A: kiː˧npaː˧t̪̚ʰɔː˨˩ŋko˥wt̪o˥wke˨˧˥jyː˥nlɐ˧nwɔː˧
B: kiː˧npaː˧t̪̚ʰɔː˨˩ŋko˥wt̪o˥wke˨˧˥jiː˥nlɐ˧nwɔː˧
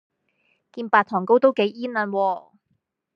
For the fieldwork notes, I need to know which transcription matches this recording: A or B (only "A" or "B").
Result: B